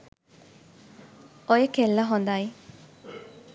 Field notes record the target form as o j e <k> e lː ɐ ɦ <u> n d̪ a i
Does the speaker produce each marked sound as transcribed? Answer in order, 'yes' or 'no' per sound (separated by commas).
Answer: yes, no